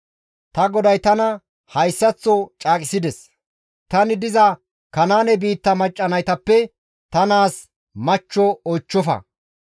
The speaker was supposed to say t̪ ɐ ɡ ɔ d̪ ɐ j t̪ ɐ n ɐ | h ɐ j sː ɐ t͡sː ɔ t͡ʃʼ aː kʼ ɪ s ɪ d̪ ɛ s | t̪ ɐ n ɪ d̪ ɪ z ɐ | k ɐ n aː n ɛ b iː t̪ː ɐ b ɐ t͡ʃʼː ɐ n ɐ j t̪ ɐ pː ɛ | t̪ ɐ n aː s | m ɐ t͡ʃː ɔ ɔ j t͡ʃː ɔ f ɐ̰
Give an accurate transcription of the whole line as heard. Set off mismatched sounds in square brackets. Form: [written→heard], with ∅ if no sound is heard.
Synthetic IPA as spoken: t̪ ɐ ɡ ɔ d̪ ɐ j t̪ ɐ n ɐ | h ɐ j sː ɐ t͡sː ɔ t͡ʃʼ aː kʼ ɪ s ɪ d̪ ɛ s | t̪ ɐ n ɪ d̪ ɪ z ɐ | k ɐ n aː n ɛ b iː t̪ː ɐ [b→m] ɐ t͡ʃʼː ɐ n ɐ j t̪ ɐ pː ɛ | t̪ ɐ n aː s | m ɐ t͡ʃː ɔ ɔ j t͡ʃː ɔ f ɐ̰